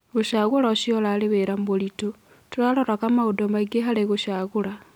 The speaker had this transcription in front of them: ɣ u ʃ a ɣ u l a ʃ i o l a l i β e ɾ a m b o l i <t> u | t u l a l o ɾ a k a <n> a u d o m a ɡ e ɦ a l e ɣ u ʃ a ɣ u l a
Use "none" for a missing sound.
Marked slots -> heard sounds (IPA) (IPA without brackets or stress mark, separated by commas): t, m